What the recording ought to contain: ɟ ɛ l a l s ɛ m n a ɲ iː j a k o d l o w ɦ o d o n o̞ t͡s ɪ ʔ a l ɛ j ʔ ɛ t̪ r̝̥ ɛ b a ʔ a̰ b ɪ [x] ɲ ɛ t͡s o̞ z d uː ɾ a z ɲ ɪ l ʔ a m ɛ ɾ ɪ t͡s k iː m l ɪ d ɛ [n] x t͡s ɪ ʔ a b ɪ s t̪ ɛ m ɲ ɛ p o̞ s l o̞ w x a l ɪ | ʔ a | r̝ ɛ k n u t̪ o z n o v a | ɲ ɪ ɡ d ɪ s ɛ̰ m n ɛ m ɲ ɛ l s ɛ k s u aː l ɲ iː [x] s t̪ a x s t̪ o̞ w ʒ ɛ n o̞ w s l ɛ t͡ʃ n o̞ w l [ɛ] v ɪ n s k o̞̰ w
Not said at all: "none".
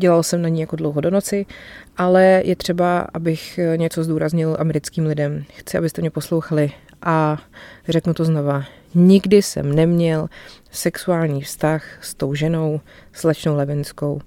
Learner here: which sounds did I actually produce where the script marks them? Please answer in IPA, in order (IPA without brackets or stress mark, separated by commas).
x, m, f, ɛ